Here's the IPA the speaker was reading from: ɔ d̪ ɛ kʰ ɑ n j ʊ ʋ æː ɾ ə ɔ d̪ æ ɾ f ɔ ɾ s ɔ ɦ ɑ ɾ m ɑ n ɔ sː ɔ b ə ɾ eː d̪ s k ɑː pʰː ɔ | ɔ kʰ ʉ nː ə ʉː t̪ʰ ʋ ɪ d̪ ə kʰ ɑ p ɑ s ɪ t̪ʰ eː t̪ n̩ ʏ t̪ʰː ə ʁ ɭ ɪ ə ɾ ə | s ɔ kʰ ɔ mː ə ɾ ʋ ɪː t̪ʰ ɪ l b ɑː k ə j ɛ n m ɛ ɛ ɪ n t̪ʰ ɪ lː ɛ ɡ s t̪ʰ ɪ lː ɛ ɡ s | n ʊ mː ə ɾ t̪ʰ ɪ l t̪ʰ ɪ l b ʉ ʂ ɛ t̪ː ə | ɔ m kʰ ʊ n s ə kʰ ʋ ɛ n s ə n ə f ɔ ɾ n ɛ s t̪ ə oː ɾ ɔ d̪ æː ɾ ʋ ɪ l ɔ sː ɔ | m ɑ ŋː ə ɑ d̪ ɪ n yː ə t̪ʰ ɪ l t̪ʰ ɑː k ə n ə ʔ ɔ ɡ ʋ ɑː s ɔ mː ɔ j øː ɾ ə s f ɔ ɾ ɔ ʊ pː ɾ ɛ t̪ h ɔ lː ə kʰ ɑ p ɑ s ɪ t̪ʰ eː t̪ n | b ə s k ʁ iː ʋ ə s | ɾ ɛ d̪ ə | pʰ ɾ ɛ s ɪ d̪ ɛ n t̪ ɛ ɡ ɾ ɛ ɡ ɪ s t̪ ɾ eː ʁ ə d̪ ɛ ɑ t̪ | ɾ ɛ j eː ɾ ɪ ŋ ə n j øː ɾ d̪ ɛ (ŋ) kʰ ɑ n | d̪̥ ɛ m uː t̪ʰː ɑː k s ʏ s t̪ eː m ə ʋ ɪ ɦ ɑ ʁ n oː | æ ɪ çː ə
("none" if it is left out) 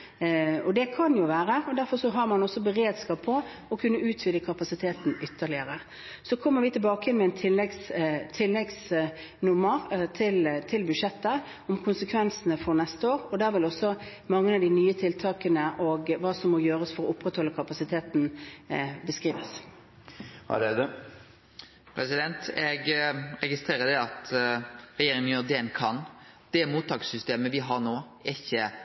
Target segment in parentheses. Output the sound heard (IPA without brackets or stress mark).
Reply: n